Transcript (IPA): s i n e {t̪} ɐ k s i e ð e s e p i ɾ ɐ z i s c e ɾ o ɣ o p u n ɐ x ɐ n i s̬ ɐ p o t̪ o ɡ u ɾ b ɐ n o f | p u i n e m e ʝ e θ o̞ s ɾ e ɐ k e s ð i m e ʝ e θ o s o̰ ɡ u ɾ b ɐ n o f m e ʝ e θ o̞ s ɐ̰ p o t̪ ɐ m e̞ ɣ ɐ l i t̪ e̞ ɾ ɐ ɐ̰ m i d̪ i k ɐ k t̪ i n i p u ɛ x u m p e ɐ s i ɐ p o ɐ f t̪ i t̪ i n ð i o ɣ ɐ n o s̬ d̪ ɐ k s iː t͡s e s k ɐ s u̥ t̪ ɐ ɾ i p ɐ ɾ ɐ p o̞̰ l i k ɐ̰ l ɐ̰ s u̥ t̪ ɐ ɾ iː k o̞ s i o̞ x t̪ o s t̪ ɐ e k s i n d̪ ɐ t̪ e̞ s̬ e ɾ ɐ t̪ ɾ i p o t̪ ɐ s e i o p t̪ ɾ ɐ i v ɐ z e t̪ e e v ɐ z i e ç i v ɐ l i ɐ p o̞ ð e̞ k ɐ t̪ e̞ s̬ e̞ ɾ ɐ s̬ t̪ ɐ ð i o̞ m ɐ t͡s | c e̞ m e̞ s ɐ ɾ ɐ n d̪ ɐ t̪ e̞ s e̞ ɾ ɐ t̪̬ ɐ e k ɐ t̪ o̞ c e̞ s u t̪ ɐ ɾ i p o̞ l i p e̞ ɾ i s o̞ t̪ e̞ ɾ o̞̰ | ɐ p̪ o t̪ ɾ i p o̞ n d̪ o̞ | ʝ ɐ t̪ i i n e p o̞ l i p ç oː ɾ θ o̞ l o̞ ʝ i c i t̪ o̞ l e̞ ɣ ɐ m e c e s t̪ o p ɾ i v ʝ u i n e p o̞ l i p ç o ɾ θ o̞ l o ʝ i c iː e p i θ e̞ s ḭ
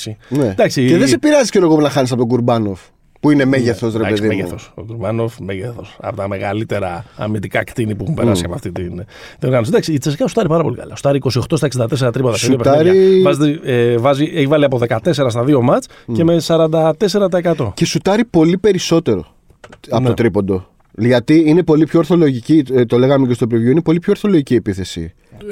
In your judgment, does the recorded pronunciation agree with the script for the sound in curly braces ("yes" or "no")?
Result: no